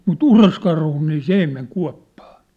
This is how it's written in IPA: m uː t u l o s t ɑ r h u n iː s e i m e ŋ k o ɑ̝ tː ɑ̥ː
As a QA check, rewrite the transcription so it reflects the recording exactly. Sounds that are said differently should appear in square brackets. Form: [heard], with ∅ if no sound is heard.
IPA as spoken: m [u] t u [r] o s [k] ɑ r h u n iː s e i m e ŋ k [u] ɑ̝ [pː] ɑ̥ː

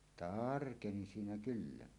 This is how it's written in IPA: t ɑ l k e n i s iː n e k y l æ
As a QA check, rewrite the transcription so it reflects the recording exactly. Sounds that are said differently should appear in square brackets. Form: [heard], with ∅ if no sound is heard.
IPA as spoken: t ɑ [r] k e n i s iː n [æ] k y [lː] æ

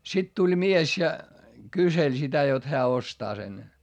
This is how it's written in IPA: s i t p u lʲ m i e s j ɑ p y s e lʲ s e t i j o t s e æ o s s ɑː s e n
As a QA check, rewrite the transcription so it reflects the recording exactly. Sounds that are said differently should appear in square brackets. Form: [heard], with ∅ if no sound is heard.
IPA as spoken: s i t [t] u lʲ m i e s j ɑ [k] y s e lʲ s [i] t [æ] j o t [h] e æ o s [t] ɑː s e n

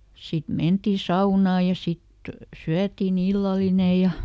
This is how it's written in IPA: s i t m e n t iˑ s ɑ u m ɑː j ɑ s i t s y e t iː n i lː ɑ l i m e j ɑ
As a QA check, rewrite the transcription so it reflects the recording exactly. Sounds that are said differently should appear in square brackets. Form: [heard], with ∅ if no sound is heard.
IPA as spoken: s i t m e n t iˑ s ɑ u [n] ɑː j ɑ s i t s y [æ] t iː n i lː ɑ l i [n] e j ɑ

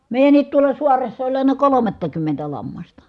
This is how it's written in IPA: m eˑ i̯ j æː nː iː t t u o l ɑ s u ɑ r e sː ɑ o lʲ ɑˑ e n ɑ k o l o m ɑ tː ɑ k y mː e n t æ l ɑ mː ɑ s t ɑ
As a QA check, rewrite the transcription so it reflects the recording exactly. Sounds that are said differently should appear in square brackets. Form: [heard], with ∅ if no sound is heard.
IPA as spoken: m eˑ i̯ j [æ] nː iː t t u o l ɑ s u ɑ r e sː ɑ o lʲ ɑˑ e n ɑ k o l o m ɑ tː ɑ k y mː e n t æ l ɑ mː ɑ s t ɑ

